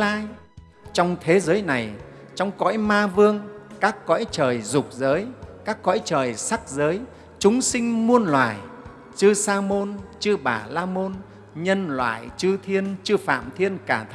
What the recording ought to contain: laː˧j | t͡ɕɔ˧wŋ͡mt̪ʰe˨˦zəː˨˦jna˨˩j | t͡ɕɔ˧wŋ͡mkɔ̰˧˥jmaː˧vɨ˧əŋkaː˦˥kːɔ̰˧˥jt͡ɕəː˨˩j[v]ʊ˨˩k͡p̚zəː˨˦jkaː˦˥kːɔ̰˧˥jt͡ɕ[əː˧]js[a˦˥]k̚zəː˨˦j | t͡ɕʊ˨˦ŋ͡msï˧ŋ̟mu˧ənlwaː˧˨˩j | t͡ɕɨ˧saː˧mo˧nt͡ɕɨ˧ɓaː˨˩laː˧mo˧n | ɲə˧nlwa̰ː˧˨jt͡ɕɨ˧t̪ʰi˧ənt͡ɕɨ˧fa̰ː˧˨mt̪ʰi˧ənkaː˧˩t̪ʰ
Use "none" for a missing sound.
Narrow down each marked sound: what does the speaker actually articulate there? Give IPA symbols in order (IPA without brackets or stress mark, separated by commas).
z, əː˨˩, a˦˥